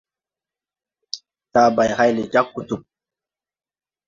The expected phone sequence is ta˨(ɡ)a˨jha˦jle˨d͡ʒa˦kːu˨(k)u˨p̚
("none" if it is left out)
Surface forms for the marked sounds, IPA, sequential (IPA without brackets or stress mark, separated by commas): b, t